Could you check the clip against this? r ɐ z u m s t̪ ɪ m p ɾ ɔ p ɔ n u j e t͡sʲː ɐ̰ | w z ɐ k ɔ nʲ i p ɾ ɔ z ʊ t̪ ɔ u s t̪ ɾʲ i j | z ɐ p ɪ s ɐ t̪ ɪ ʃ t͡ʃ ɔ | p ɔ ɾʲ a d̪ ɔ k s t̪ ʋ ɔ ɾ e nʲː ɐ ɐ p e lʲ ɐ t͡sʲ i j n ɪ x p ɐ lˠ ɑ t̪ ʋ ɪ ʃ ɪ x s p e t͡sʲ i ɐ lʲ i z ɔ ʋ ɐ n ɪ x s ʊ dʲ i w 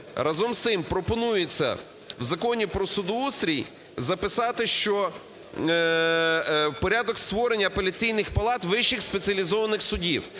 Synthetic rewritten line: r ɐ z ɔ m s t̪ ɪ m p ɾ ɔ p ɔ n u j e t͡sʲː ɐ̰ | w z ɐ k ɔ nʲ i p ɾ ɔ s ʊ d̪ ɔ u s t̪ ɾʲ i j | z ɐ p ɪ s ɑ t̪ ɪ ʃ t͡ʃ ɔ | p ɔ ɾʲ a d̪ ɔ k s t̪ ʋ ɔ ɾ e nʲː ɐ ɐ p e lʲ ɐ t͡sʲ i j n ɪ x p ɐ lˠ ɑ t̪ ʋ ɪ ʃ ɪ x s p e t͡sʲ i ɐ lʲ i z ɔ ʋ ɐ n ɪ x s ʊ dʲ i w